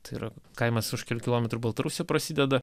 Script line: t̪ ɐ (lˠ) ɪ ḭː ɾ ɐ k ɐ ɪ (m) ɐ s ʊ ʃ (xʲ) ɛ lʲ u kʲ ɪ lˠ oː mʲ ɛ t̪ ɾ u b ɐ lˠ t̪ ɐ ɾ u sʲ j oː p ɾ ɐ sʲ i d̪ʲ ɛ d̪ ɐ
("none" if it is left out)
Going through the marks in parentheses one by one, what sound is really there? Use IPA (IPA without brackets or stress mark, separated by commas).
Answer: none, m, kʲ